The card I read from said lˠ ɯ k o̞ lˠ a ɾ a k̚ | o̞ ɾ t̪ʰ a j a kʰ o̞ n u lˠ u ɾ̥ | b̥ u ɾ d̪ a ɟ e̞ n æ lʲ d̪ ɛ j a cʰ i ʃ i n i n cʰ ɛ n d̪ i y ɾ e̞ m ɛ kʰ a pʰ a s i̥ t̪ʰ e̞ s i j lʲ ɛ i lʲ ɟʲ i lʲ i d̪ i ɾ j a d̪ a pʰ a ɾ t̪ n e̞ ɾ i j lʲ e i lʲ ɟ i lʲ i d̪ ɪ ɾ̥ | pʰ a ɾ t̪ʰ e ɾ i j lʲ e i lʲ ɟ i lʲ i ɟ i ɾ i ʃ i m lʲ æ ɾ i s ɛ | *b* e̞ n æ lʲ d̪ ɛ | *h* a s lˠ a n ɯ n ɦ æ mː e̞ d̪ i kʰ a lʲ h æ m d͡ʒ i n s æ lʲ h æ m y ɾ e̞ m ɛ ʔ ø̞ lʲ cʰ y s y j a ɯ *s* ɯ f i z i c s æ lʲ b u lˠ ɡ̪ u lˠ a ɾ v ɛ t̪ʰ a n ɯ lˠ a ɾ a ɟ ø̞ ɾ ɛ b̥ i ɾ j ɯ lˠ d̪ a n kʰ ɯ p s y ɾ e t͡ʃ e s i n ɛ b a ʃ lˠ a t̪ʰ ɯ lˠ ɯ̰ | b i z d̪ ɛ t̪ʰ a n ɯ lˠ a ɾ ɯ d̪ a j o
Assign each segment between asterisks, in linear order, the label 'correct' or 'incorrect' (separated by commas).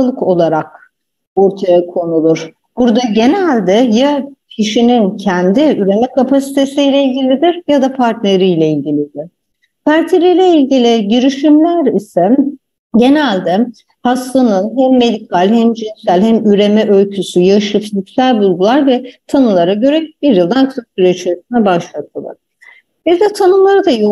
incorrect, correct, incorrect